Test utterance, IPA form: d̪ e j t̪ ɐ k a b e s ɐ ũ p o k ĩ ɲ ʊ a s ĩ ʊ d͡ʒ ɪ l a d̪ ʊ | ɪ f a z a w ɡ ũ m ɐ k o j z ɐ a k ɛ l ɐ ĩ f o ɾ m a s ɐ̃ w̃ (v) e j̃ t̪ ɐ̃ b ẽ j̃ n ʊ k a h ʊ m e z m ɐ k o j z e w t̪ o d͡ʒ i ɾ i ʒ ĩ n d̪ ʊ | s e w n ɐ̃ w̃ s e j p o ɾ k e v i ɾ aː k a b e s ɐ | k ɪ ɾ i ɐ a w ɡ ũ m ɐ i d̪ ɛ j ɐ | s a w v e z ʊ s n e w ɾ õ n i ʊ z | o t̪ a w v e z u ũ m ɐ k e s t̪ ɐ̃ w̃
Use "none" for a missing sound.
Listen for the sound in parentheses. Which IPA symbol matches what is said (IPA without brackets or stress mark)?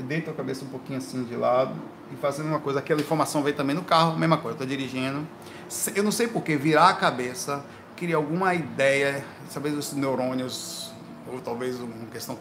v